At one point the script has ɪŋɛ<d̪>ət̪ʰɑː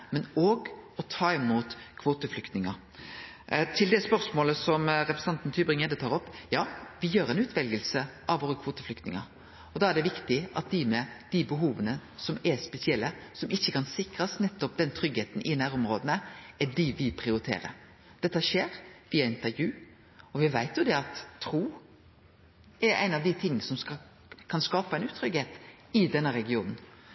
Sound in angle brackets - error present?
no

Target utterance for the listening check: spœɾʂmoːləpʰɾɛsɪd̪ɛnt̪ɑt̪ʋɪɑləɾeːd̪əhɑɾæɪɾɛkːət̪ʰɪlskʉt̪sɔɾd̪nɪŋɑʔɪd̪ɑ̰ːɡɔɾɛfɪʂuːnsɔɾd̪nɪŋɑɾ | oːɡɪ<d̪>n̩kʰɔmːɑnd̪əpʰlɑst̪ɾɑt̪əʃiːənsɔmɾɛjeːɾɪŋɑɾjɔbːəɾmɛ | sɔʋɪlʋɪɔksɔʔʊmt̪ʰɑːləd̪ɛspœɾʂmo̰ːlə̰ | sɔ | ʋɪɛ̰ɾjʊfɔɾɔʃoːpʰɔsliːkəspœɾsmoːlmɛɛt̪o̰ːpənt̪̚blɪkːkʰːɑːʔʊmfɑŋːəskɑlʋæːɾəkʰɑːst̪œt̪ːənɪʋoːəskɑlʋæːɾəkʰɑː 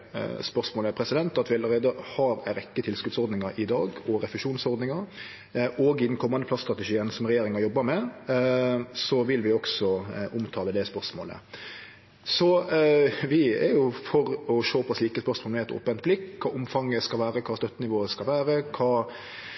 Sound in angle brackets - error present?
no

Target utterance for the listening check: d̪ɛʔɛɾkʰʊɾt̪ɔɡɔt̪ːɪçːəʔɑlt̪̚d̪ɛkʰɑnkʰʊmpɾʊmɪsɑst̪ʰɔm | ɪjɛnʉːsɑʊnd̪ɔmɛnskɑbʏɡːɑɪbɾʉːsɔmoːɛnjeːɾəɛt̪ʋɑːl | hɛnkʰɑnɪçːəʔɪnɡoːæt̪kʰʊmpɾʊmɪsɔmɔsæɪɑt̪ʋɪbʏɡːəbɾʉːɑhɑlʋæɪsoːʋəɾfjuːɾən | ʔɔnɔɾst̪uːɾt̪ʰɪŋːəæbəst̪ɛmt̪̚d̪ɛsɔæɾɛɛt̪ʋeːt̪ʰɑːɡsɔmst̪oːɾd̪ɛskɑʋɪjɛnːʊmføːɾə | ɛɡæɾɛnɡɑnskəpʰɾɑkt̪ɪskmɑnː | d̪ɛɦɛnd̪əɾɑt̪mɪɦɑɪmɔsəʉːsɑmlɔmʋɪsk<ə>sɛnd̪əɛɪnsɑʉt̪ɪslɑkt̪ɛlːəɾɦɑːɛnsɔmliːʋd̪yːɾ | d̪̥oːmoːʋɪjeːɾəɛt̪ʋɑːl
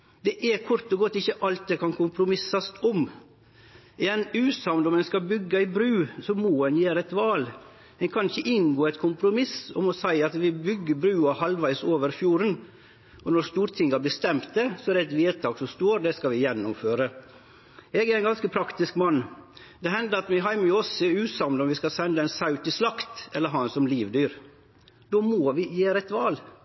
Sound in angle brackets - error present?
yes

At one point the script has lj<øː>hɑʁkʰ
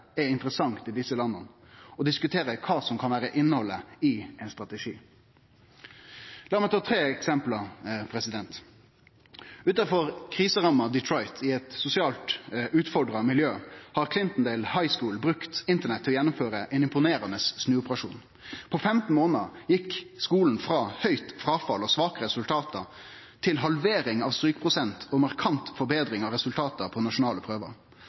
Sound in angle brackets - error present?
no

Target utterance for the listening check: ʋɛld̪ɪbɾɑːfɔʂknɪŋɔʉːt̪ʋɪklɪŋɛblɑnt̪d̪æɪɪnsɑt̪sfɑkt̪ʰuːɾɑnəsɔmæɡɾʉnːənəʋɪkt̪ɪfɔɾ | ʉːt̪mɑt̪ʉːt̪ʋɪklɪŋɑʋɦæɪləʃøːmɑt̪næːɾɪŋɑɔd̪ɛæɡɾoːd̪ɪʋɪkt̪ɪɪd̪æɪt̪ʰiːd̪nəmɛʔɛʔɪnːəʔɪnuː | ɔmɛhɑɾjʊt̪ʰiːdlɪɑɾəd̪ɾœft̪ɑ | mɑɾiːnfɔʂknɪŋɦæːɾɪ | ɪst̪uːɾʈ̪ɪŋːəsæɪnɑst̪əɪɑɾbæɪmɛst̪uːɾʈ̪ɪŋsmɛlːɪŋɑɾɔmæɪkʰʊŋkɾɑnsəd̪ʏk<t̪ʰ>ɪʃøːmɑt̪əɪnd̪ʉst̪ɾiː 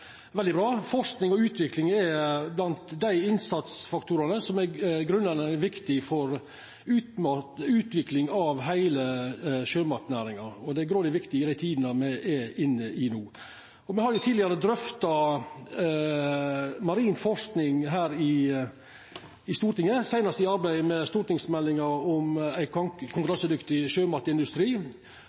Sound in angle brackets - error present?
yes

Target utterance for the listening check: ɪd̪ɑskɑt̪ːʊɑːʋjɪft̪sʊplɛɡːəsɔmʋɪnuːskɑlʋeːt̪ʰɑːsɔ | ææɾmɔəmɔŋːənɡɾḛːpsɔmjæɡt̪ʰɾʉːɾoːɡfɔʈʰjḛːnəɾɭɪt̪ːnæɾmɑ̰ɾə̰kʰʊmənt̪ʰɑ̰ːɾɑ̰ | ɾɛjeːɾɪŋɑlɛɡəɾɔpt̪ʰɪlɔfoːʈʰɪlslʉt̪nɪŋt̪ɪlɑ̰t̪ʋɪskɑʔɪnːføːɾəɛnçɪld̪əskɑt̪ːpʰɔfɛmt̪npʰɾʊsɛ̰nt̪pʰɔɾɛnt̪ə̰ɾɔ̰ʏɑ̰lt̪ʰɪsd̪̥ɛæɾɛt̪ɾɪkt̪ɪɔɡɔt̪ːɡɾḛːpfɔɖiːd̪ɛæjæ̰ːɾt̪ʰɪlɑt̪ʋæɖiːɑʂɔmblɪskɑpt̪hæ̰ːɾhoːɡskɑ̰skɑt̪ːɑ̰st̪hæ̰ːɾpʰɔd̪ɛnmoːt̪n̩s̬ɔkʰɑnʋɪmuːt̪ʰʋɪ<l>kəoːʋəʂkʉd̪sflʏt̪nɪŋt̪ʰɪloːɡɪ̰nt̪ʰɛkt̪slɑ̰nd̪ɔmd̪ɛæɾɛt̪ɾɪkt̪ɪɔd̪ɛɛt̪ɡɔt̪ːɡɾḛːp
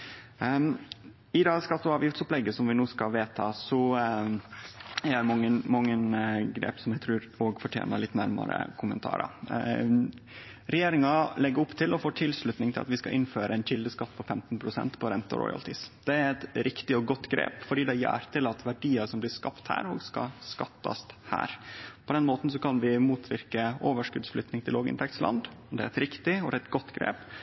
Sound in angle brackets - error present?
yes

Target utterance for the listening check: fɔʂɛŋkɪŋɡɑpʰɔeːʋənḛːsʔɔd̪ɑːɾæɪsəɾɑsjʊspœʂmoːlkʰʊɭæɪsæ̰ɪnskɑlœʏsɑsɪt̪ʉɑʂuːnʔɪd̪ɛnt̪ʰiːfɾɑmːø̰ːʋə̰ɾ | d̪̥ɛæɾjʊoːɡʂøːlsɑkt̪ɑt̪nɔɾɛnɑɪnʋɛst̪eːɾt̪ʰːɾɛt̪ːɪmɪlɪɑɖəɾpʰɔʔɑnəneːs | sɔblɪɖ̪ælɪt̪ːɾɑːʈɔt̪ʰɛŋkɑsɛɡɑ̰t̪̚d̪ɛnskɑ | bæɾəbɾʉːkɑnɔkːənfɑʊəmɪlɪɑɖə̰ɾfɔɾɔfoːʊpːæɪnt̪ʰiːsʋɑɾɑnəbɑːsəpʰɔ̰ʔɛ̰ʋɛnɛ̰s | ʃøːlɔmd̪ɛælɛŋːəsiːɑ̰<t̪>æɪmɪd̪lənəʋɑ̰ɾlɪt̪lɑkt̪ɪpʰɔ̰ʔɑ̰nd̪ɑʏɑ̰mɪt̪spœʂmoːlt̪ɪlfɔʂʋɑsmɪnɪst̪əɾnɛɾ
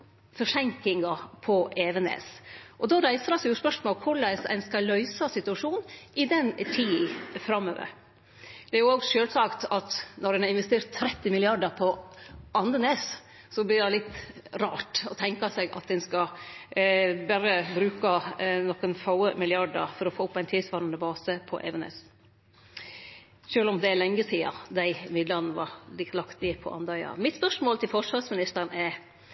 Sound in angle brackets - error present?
yes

